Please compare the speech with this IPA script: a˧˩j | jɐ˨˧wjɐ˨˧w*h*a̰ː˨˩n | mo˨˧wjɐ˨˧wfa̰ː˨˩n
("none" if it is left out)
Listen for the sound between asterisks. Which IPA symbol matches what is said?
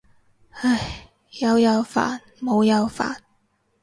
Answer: f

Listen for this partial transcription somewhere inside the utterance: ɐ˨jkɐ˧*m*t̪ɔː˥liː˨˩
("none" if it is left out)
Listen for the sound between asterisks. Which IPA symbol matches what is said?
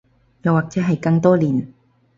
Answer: ŋ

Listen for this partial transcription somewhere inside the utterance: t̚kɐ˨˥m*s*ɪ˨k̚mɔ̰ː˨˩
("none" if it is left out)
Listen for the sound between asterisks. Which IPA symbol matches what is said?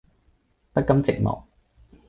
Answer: t͡s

